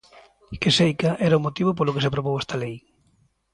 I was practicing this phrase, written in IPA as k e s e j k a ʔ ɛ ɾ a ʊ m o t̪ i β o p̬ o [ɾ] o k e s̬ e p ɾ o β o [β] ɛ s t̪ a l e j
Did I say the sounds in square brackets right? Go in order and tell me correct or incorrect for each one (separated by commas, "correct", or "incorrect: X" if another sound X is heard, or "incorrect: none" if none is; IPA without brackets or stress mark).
incorrect: l, incorrect: w